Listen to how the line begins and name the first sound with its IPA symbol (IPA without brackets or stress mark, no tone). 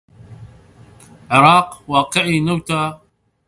ʕ